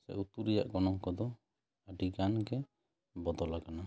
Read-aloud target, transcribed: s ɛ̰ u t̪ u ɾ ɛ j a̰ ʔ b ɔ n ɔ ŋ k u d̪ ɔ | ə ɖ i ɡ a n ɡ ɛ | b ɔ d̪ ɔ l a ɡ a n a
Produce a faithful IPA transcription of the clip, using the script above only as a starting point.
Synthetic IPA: s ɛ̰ u t̪ u ɾ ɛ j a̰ ʔ ɡ ɔ n ɔ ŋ k ɔ d̪ ɔ | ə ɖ i ɡ a n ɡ ɛ | b ɔ d̪ ɔ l a ɡ a n a